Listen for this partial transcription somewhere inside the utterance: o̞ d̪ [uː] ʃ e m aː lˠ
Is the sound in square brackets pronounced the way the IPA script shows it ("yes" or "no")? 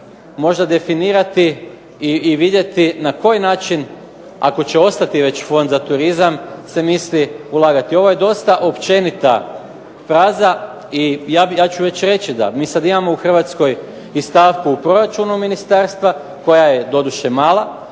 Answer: no